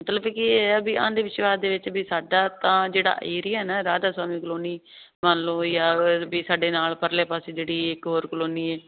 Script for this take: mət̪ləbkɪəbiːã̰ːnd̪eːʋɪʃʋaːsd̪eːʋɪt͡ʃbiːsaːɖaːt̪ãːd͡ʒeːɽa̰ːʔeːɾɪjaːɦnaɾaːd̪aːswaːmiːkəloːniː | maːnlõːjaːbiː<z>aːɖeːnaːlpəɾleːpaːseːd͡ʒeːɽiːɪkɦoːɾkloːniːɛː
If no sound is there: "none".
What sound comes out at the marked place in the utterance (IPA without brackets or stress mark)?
s